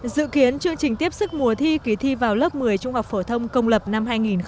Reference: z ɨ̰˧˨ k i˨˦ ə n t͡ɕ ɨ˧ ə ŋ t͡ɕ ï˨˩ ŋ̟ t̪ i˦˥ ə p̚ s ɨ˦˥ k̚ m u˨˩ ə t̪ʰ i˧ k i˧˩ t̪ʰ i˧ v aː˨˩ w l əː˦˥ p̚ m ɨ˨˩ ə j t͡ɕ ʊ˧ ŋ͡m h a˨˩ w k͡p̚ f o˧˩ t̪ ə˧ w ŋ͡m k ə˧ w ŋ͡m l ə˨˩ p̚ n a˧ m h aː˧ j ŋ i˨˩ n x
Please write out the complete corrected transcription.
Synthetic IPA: z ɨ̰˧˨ k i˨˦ ə n t͡ɕ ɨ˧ ə ŋ t͡ɕ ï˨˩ ŋ̟ t̪ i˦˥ ə p̚ s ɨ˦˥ k̚ m u˨˩ ə t̪ʰ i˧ k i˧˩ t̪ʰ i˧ v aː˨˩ w l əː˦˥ p̚ m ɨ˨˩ ə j t͡ɕ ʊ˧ ŋ͡m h a˨˩ w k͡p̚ f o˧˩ t̪ʰ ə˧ w ŋ͡m k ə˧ w ŋ͡m l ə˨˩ p̚ n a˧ m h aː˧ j ŋ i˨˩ n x